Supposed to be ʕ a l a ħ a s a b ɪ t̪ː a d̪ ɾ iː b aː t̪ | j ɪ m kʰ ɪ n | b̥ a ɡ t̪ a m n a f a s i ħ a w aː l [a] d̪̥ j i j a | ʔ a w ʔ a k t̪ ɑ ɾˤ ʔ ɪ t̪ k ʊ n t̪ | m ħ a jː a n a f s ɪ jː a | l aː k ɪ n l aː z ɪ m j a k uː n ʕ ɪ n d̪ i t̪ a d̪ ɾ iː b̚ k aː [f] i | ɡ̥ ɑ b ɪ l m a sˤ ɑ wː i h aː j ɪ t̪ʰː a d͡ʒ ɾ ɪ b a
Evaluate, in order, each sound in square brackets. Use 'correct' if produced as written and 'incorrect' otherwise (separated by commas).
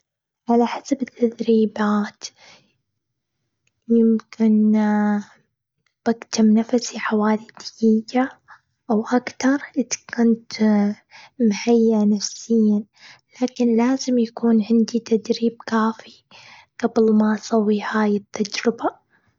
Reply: incorrect, correct